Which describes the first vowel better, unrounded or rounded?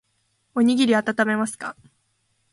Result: rounded